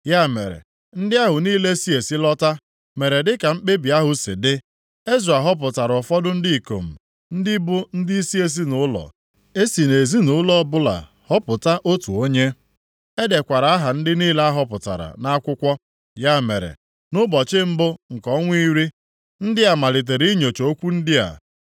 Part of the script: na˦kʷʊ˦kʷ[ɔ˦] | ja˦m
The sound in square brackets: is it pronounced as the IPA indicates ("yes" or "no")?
yes